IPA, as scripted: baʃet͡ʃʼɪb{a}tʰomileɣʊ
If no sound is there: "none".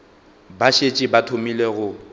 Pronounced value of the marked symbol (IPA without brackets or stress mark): a